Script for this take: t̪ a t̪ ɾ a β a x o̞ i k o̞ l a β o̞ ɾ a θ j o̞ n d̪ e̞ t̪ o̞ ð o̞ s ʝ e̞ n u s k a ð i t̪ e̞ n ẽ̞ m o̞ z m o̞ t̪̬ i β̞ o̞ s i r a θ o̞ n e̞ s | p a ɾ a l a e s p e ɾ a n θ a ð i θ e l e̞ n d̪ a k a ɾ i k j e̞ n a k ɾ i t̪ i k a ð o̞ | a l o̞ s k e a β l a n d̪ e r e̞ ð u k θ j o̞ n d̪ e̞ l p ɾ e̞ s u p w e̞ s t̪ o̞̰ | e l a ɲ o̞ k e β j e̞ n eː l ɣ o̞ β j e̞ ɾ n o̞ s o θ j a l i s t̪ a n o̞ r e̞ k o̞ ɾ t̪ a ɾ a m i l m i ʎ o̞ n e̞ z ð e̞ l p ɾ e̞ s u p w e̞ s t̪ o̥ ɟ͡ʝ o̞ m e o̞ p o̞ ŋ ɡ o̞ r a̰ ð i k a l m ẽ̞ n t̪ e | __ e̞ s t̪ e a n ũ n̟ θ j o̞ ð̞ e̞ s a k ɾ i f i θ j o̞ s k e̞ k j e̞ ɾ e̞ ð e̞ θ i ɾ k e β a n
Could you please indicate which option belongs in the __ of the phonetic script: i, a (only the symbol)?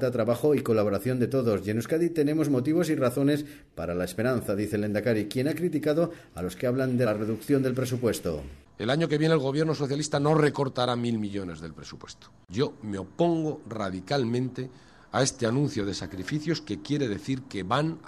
a